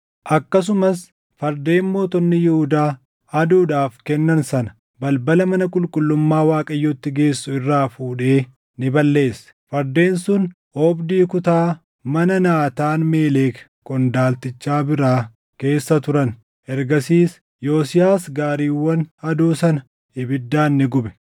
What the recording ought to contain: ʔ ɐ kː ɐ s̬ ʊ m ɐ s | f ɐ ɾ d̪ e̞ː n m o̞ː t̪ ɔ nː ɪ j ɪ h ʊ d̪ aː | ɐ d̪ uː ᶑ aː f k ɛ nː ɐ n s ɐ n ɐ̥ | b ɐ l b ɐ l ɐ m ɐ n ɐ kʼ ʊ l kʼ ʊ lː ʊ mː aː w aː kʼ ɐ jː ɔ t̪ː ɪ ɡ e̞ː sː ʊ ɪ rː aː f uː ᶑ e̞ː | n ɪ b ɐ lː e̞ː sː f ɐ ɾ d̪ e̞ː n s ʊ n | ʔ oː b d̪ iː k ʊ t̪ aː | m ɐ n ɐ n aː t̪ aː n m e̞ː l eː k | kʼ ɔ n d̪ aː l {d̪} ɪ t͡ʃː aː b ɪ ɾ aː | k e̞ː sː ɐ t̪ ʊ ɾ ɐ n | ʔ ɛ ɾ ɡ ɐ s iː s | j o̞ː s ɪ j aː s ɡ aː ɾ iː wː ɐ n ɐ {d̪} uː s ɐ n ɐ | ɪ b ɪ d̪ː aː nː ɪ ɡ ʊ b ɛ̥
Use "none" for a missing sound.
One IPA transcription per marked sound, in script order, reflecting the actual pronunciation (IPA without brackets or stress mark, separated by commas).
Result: t̪, d̪